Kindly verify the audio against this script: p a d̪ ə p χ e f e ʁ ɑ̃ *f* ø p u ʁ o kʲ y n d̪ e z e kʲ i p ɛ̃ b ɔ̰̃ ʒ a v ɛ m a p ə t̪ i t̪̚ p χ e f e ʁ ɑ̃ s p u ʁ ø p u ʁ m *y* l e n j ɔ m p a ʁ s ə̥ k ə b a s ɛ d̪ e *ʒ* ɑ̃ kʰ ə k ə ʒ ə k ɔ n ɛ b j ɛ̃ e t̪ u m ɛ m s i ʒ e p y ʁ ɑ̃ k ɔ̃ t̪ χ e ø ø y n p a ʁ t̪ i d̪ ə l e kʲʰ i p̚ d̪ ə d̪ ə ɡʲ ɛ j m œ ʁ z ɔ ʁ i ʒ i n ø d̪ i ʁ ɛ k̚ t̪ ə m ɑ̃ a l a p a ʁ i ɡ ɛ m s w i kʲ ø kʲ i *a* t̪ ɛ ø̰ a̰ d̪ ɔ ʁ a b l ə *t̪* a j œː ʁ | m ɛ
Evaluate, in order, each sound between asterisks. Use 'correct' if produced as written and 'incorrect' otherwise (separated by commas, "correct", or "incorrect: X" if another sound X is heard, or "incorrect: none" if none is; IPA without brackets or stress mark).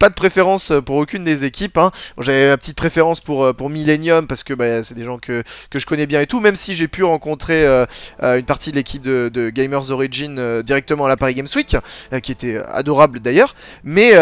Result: incorrect: s, incorrect: i, correct, incorrect: e, incorrect: d̪